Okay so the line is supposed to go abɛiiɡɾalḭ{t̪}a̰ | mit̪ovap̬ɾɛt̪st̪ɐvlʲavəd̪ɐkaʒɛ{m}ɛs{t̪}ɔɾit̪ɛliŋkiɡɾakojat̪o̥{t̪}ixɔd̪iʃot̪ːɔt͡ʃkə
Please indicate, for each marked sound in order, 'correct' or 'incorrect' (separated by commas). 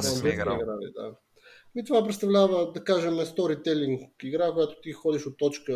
incorrect, correct, correct, correct